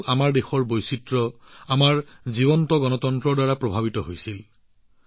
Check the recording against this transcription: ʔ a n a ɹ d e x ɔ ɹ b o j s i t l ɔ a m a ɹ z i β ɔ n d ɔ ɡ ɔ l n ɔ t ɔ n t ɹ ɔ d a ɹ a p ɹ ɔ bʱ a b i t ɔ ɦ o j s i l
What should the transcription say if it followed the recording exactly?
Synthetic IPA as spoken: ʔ a m a ɹ d e x ɔ ɹ b o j s i t ɹ ɔ a m a ɹ z i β ɔ n t ɔ ɡ ɔ n ɔ t ɔ n t ɹ ɔ d a ɹ a p ɹ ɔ bʱ a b i t ɔ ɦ o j s i l